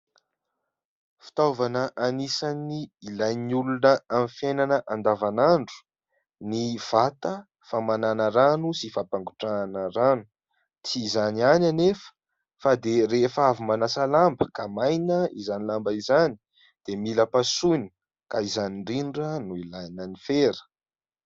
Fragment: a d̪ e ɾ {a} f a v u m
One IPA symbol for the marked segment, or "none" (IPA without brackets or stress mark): e